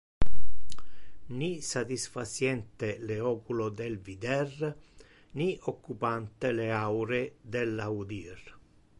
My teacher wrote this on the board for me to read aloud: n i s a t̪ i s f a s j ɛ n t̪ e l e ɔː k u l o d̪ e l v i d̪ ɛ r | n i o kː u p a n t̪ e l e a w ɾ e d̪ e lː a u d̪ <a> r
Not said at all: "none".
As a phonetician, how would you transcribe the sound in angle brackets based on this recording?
i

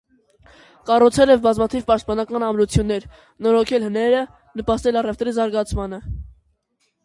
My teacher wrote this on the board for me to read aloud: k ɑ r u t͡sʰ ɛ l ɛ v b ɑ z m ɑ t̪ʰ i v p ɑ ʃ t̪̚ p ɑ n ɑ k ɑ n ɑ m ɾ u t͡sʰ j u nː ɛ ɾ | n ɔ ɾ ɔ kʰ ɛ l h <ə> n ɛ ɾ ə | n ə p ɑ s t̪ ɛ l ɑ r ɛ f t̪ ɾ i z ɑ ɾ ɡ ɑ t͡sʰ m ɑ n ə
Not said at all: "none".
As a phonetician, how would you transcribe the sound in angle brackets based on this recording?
ə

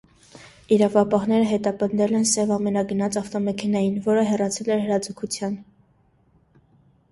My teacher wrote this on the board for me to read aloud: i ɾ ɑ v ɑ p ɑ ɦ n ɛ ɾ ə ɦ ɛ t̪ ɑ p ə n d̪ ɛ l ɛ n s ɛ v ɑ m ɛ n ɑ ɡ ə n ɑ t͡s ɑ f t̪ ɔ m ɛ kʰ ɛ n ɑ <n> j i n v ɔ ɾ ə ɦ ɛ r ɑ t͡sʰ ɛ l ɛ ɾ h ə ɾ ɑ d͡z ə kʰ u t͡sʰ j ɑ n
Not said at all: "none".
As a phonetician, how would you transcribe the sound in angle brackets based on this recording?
none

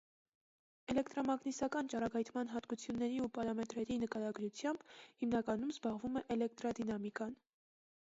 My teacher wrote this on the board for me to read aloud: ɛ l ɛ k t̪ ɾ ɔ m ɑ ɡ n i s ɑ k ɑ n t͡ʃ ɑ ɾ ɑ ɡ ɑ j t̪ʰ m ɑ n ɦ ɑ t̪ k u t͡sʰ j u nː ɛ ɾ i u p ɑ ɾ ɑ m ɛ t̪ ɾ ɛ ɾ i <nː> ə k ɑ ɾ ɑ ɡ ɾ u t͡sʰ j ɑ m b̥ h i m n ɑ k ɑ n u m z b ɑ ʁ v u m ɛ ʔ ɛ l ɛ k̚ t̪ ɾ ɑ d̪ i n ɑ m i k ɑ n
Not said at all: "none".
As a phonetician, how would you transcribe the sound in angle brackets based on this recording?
n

